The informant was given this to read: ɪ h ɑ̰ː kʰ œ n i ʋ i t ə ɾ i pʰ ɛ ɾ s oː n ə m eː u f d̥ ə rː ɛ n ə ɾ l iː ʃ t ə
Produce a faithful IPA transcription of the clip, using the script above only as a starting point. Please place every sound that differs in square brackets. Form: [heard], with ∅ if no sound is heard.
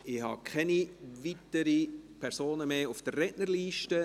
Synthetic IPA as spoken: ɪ h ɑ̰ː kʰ [ɛ] n i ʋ i t ə ɾ i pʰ ɛ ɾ s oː n ə m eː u f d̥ ə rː ɛ n ə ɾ l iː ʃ t ə